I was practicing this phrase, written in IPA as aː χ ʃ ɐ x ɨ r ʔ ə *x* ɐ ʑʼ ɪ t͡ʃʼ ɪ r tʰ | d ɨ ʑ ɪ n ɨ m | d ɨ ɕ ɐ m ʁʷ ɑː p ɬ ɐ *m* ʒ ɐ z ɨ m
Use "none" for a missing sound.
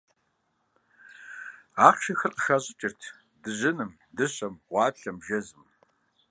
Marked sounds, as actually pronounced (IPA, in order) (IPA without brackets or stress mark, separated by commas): x, m